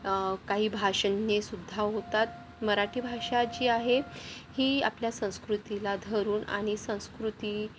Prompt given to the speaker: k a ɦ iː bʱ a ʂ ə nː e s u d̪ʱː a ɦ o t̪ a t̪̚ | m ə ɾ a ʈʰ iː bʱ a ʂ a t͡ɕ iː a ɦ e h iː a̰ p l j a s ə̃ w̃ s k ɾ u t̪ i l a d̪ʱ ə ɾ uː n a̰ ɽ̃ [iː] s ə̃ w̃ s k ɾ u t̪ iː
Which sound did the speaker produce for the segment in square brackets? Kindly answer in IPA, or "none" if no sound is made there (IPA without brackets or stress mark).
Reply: i